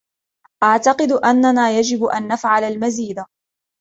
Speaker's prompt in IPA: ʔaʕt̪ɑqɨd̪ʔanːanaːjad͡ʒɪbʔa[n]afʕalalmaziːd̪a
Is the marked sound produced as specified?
no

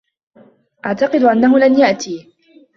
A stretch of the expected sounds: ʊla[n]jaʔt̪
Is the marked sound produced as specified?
yes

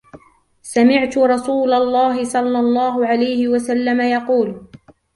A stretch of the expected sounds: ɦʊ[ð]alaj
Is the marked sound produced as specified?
no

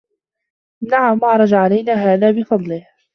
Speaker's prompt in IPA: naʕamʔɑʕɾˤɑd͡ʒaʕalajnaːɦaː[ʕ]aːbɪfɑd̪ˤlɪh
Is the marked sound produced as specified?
no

